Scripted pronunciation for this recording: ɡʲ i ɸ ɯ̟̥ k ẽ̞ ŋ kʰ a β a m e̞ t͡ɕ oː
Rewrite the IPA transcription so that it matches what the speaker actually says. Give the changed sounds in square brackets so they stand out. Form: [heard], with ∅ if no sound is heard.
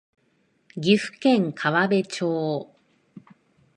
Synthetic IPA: ɡʲ i ɸ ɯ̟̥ k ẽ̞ ŋ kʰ a β a [b] e̞ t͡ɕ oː